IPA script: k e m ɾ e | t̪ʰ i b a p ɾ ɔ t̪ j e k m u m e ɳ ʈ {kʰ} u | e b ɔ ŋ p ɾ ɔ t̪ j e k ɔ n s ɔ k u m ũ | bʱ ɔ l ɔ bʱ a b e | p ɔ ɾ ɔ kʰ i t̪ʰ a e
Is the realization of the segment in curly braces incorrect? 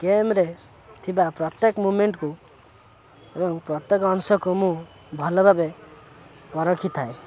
yes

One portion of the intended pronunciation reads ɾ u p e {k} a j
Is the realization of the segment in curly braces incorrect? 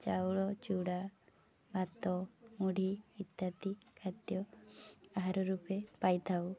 yes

